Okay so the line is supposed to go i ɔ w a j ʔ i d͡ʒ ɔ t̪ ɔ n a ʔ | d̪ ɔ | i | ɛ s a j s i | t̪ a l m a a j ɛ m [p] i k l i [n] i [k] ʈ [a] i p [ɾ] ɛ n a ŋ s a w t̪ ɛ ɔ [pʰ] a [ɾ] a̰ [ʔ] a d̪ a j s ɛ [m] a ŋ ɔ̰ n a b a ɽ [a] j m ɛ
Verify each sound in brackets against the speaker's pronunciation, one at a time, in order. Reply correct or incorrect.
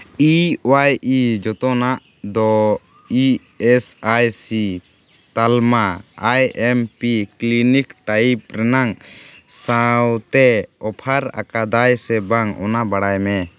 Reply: correct, correct, correct, correct, correct, correct, correct, incorrect, incorrect, correct

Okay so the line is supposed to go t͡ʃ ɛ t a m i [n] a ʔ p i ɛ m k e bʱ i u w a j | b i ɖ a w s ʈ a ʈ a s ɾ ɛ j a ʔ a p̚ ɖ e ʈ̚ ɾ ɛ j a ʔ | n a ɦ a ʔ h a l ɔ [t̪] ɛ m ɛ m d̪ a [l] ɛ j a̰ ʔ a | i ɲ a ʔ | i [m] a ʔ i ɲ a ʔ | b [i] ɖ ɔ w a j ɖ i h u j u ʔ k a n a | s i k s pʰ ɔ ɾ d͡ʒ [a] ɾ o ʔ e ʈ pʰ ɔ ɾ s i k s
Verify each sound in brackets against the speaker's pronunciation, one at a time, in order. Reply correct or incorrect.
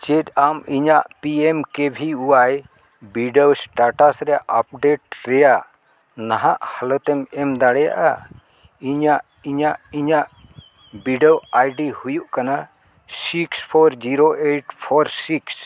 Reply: incorrect, correct, incorrect, incorrect, correct, incorrect

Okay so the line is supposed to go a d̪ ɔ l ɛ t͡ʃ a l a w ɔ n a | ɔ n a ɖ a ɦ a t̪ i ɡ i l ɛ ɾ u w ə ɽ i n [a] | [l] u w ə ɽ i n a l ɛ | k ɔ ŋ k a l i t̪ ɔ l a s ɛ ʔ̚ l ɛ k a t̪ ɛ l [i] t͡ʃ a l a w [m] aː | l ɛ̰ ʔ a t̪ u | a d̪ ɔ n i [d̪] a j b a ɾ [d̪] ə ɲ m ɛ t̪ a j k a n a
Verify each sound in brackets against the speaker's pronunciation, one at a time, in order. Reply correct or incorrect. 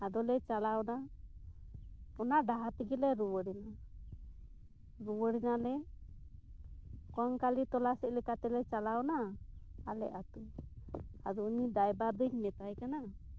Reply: correct, incorrect, incorrect, incorrect, correct, correct

